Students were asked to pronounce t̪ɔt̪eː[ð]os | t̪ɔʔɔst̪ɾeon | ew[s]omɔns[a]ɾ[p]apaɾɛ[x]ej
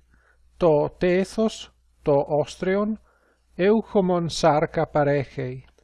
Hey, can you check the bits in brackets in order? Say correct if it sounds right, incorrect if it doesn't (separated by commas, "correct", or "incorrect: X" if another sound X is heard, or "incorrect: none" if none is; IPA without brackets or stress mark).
incorrect: θ, incorrect: x, correct, incorrect: k, correct